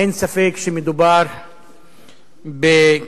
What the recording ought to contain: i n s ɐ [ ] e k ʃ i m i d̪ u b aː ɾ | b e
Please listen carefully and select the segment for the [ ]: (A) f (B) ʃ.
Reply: A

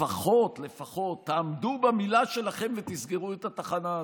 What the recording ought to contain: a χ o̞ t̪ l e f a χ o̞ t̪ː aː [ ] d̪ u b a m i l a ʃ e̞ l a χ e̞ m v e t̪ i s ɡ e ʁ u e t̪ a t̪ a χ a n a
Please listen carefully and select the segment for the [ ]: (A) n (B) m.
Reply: B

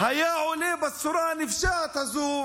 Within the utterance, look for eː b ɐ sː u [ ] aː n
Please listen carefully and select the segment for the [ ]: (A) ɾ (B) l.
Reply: A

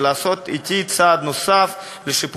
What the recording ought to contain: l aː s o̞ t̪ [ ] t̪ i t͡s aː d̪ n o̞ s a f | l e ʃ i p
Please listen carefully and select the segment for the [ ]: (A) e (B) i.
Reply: B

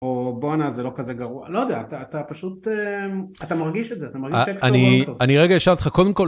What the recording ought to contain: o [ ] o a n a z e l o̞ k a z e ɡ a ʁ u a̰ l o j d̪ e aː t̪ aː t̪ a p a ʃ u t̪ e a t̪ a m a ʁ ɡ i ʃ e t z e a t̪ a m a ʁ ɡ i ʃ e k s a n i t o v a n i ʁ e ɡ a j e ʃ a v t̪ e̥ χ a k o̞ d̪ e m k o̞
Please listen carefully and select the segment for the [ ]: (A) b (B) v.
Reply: A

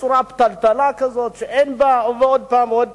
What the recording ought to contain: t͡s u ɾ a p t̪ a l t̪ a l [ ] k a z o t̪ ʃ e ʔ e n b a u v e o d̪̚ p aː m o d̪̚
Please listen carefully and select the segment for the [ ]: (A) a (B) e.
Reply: A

